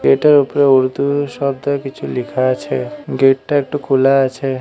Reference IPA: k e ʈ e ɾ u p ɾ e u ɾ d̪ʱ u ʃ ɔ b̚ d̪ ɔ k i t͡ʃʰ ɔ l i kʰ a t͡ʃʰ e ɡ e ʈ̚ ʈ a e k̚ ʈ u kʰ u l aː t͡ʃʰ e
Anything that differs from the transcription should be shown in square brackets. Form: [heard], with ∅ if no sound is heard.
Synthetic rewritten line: [ɡ] e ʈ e ɾ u p ɾ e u ɾ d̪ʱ u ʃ ɔ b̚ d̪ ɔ k i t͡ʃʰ [u] l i kʰ a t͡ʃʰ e ɡ e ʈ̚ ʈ a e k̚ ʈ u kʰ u l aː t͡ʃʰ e